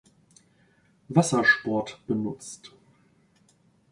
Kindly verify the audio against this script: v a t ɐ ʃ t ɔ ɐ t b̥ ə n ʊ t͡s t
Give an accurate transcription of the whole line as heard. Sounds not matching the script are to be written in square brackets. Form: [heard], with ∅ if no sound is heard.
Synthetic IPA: v a [s] ɐ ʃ [p] ɔ ɐ t b̥ ə n ʊ t͡s t